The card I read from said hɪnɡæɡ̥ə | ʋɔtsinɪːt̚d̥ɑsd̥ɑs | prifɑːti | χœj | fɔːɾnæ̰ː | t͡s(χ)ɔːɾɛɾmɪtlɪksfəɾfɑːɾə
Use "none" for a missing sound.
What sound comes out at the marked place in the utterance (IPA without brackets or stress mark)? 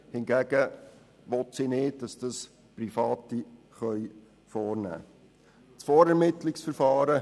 f